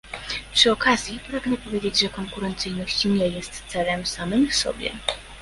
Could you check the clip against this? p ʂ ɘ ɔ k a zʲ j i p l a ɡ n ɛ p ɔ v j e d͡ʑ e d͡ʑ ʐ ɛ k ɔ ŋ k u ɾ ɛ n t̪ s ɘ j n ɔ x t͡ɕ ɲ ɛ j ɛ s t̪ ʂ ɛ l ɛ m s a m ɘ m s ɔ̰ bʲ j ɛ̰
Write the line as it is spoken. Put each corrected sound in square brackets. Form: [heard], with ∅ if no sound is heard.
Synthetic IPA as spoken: p ʂ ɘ ɔ k a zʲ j i p [ɾ] a ɡ n ɛ p ɔ v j e d͡ʑ e d͡ʑ ʐ ɛ k ɔ ŋ k u ɾ ɛ n t̪ s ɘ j n ɔ [ɕ] t͡ɕ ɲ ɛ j ɛ s t̪ [s] ɛ l ɛ m s a m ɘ m s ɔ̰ bʲ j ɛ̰